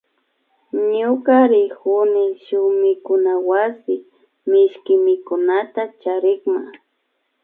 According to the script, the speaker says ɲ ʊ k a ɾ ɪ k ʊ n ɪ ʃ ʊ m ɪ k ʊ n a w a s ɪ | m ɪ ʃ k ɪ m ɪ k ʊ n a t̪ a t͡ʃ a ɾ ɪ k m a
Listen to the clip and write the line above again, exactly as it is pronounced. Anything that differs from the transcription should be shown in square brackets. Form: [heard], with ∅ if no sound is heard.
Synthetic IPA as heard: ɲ ʊ k a ɾ ɪ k ʊ n ɪ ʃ ʊ m ɪ k ʊ n a w a s ɪ | m ɪ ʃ k ɪ m ɪ k ʊ n a t̪ a t͡ʃ a ɾ ɪ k m a